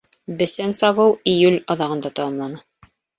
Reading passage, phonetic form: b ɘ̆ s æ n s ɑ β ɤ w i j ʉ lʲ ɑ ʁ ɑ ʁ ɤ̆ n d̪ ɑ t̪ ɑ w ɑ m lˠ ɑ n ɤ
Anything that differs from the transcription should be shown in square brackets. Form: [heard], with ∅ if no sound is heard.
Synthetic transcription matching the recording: b ɘ̆ s æ n s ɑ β ɤ w i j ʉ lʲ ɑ [ð] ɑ ʁ ɤ̆ n d̪ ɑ t̪ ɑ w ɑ m lˠ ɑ n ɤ